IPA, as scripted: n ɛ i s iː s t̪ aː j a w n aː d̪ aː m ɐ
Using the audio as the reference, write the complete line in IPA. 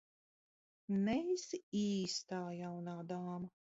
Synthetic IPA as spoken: n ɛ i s iː s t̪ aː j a w n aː d̪ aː m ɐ